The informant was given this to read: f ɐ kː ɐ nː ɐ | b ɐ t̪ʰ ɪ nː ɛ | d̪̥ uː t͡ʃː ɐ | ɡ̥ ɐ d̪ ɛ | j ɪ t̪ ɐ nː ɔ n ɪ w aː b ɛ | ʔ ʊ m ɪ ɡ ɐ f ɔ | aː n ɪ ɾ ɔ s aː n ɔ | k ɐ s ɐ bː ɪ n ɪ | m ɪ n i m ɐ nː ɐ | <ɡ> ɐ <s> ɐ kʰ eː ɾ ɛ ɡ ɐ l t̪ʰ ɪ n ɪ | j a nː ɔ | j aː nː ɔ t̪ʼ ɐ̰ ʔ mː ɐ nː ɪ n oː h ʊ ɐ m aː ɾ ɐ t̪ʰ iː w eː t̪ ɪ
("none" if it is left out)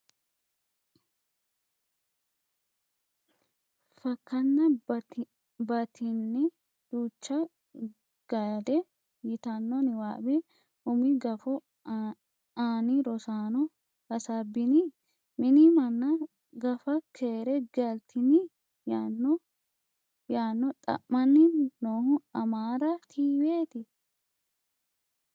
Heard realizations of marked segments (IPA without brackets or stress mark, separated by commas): ɡ, f